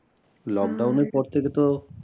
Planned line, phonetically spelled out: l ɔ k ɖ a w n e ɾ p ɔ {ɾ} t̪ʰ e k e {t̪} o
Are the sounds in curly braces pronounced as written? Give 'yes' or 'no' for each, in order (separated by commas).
yes, yes